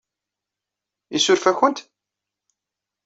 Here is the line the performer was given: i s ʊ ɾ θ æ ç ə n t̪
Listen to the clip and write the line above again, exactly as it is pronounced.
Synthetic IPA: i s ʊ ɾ f æ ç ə n t̪